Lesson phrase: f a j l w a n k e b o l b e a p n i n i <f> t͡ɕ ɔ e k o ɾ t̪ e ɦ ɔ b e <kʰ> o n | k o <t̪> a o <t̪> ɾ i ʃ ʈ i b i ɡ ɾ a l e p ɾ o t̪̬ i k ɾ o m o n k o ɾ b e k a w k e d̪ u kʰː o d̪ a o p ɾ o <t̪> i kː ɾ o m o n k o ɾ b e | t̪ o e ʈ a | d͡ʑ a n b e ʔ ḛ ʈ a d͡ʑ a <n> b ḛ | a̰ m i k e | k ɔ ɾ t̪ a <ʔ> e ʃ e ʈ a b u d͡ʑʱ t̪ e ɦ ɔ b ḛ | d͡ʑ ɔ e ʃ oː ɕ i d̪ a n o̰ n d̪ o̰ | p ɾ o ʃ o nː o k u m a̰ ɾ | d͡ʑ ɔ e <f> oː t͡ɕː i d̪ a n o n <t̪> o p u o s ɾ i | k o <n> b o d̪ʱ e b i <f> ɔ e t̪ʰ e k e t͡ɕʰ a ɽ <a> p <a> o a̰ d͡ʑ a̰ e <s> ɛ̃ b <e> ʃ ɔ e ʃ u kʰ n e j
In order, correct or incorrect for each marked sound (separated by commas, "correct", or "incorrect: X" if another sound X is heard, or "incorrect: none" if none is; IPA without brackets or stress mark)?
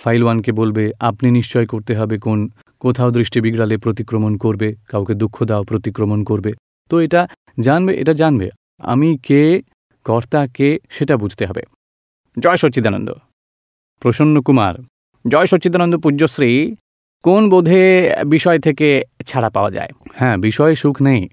incorrect: ʃ, incorrect: k, incorrect: t̪ʰ, incorrect: d̪, correct, correct, incorrect: k, incorrect: ʃ, incorrect: d̪, correct, incorrect: ʃ, correct, correct, incorrect: h, incorrect: i